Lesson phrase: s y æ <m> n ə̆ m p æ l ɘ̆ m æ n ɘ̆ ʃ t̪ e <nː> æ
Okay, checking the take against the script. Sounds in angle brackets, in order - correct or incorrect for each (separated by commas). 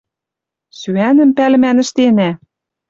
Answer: incorrect, incorrect